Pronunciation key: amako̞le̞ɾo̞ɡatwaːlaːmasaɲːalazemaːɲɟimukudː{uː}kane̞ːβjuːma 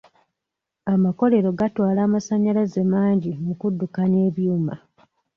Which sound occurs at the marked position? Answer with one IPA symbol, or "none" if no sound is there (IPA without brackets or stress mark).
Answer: u